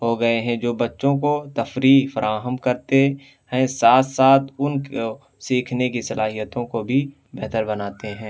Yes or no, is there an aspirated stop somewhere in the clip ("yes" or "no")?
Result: yes